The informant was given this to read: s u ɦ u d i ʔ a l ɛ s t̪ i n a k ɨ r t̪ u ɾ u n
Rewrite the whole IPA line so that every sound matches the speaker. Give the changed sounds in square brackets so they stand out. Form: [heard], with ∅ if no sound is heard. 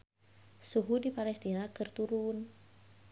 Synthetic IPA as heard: s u ɦ u d i [p] a l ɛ s t̪ i n a k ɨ r t̪ u ɾ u n